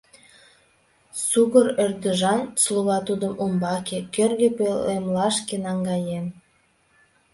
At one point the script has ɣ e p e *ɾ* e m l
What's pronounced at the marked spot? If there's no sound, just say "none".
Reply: l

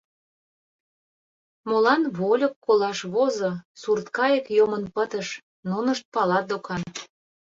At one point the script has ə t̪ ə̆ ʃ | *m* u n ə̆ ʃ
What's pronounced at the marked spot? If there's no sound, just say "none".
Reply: n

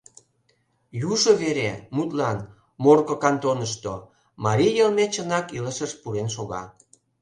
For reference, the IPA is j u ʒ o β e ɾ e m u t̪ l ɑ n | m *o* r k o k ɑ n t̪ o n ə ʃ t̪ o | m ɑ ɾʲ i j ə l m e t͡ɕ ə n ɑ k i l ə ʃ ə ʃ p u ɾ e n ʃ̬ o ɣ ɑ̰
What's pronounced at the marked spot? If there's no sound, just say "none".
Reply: o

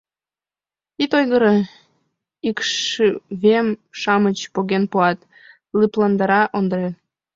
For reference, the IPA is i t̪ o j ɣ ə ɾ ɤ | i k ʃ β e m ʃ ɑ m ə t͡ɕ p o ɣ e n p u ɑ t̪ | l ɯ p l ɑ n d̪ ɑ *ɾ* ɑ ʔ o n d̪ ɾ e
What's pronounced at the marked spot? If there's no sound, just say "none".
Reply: ɾ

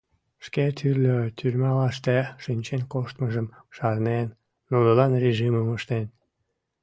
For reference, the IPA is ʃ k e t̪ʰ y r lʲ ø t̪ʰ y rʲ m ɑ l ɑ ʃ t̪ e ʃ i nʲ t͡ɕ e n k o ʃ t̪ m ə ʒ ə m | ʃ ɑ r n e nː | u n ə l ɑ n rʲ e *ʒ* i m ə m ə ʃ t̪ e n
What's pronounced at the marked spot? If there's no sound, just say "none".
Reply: ʒ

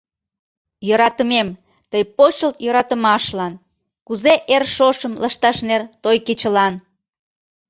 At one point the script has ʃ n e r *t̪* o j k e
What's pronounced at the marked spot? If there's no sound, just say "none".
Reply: t̪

